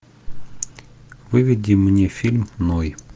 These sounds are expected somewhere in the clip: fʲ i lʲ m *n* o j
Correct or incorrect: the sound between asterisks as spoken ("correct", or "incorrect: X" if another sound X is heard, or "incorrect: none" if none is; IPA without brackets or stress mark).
correct